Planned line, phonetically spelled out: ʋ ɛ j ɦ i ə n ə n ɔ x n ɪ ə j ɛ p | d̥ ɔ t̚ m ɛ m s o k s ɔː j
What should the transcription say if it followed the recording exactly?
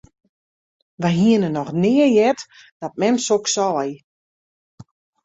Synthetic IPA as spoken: ʋ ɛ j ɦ i ə n ə n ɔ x n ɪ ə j ɛ t | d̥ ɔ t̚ m ɛ m s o k s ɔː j